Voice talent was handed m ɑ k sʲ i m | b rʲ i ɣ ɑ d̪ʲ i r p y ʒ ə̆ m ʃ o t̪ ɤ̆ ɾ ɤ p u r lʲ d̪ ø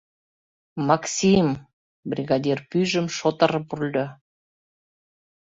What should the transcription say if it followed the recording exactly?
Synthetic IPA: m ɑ k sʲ i m | b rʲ i ɣ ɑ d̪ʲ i r p y ʒ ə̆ m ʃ o t̪ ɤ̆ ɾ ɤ p u r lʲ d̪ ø